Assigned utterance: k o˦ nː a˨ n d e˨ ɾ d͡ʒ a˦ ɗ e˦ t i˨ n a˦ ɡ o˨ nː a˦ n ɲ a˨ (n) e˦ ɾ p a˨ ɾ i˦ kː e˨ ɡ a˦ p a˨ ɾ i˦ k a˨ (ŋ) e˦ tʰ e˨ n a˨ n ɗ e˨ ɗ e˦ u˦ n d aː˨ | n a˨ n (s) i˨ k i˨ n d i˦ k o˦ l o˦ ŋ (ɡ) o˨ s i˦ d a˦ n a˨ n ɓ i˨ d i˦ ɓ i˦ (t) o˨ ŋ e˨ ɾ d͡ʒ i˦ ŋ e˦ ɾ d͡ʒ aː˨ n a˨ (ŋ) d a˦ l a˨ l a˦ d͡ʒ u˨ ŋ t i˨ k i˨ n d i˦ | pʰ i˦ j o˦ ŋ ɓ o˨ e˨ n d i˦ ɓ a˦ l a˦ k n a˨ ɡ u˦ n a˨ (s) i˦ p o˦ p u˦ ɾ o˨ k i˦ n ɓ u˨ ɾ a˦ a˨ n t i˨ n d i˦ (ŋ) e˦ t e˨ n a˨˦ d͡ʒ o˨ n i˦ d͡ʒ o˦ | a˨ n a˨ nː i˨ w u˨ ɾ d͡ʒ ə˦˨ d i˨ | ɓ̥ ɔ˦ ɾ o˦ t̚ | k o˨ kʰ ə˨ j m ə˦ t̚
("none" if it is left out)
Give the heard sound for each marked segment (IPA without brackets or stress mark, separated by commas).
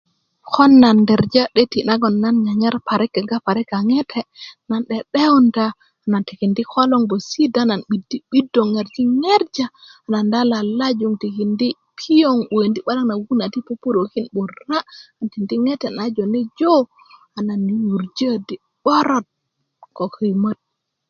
ɲ, ŋ, t, b, d, n, t, ŋ